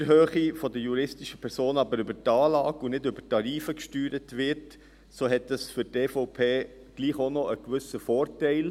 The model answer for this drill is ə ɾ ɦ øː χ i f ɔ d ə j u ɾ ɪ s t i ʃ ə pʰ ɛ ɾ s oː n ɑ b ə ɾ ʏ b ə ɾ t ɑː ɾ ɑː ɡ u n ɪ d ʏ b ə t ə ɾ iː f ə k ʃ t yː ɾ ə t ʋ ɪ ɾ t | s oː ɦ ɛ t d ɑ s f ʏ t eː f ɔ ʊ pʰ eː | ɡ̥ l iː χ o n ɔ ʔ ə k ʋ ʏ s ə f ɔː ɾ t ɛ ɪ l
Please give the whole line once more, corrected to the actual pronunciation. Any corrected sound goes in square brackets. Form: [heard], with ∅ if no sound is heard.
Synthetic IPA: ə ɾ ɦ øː χ i f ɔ d ə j u ɾ ɪ s t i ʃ ə pʰ ɛ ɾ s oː n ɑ b ə ɾ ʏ b ə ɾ t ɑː [l] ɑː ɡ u n ɪ d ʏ b ə t [ɑ] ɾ iː f ə k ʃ t yː ɾ ə t ʋ ɪ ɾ t | s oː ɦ ɛ t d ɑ s f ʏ t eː f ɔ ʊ pʰ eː | ɡ̥ l iː χ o n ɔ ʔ ə k ʋ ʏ s ə f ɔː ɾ t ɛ ɪ l